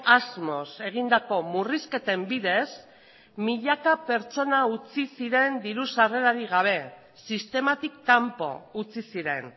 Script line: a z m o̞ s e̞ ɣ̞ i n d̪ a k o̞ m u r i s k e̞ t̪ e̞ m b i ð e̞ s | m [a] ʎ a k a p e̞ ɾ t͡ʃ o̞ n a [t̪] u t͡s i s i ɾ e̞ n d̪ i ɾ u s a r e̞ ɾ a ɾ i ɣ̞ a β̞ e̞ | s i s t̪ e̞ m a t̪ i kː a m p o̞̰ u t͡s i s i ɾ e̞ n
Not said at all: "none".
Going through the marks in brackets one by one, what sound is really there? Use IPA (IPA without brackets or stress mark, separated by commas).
i, none